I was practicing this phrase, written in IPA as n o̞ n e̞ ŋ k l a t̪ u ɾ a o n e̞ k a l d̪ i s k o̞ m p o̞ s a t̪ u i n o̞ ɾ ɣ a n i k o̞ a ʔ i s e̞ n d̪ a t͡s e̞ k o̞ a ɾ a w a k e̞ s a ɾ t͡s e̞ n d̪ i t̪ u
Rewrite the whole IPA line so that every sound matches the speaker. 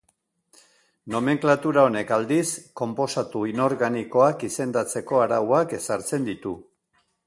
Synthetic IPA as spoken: n o̞ m e̞ ŋ k l a t̪ u ɾ a o n e̞ k a l d̪ i s k o̞ m p o̞ s a t̪ u i n o̞ ɾ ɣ a n i k o̞ a k i s e̞ n d̪ a t͡s e̞ k o̞ a ɾ a w a k e̞ s a ɾ t͡s e̞ n d̪ i t̪ u